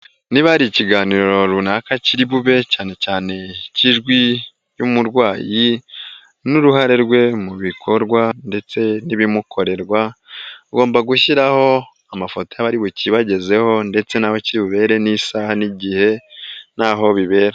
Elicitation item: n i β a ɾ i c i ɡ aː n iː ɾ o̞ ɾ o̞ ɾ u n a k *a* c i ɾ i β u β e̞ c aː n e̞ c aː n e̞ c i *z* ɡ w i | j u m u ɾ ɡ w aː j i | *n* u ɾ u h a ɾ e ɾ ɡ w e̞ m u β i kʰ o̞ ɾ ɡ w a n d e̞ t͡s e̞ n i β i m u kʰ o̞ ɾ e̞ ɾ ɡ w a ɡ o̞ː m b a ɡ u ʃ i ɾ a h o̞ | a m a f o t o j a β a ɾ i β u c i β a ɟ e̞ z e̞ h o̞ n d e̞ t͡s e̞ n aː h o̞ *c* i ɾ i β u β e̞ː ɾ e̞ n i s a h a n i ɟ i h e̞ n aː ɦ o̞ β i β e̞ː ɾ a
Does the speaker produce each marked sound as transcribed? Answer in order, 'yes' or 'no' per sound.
yes, no, yes, yes

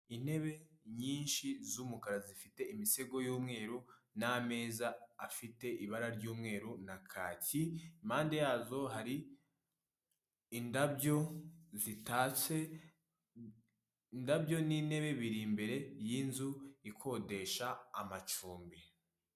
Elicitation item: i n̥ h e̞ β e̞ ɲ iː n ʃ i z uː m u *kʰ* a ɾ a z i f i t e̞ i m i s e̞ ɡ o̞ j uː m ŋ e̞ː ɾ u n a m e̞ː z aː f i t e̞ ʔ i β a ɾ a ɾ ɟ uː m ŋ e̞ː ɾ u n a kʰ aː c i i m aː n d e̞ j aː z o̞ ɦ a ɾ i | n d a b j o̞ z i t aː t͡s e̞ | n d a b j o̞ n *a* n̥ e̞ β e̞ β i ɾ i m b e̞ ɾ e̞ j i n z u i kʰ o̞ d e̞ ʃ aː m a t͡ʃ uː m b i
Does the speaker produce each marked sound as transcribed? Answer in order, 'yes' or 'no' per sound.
no, no

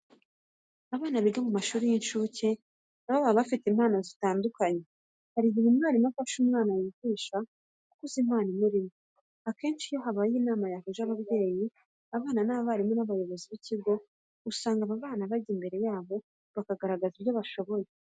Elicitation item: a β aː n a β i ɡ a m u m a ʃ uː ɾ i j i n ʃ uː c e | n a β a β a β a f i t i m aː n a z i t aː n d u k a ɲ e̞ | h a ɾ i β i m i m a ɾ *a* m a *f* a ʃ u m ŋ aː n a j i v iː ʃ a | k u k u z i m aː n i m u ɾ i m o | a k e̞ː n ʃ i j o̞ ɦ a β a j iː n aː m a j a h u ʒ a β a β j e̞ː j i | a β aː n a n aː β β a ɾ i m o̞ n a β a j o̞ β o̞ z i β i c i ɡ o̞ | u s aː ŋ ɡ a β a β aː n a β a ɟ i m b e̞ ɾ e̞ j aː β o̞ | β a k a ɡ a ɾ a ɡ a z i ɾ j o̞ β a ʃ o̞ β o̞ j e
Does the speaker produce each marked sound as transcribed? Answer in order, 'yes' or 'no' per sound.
no, yes

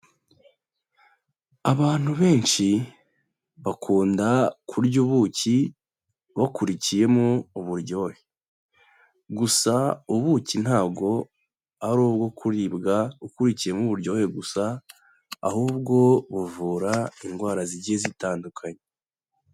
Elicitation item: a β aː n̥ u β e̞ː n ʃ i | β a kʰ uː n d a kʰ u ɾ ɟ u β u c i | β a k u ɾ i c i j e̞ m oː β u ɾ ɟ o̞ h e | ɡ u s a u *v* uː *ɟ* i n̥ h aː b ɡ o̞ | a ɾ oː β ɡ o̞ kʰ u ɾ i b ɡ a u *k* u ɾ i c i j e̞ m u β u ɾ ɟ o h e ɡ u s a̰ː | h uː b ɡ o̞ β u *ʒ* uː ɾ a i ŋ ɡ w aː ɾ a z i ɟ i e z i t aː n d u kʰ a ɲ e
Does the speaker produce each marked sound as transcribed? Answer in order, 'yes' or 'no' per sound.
no, no, yes, no

